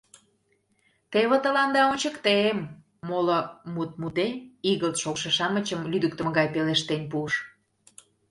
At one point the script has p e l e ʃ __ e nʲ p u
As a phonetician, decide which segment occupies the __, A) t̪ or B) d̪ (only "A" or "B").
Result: A